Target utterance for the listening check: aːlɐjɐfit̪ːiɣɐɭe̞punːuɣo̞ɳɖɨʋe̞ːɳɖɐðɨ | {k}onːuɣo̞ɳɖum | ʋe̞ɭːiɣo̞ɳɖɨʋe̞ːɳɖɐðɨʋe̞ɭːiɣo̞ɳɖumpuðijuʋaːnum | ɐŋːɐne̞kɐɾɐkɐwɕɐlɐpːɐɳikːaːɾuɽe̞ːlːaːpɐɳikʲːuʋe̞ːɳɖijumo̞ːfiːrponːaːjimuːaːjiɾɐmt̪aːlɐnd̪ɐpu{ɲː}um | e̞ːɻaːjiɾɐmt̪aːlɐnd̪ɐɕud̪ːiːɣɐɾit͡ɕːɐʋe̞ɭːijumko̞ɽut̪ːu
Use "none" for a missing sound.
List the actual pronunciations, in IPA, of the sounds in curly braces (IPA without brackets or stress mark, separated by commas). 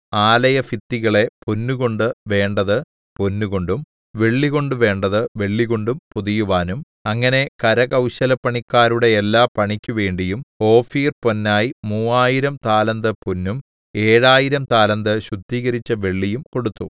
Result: p, nː